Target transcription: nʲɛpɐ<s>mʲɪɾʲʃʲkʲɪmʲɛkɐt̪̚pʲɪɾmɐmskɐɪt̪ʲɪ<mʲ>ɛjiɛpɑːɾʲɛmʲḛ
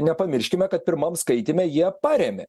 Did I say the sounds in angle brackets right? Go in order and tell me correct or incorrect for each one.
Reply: incorrect: none, correct

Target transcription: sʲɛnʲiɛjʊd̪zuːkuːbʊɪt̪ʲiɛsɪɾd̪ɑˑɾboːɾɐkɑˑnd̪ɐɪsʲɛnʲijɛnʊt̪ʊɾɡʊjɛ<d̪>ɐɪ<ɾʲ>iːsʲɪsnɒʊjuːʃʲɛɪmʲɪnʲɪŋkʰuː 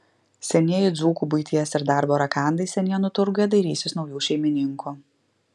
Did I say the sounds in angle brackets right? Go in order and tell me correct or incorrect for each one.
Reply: correct, correct

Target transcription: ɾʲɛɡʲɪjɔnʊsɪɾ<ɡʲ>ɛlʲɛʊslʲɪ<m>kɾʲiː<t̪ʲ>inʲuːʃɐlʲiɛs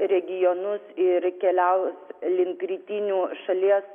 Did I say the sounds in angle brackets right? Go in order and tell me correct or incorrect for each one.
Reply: incorrect: kʲ, incorrect: ŋ, correct

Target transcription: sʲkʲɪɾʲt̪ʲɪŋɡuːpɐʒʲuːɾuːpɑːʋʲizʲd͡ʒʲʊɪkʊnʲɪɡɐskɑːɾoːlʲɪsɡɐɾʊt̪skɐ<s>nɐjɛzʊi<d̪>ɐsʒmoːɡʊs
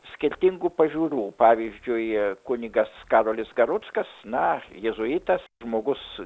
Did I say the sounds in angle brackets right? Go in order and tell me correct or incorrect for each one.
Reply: correct, incorrect: t̪

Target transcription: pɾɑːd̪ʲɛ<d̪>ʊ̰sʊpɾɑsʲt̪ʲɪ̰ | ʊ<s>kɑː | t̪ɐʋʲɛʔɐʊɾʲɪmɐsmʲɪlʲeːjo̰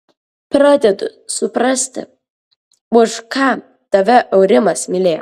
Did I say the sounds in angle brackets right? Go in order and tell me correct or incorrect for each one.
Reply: correct, incorrect: ʃ

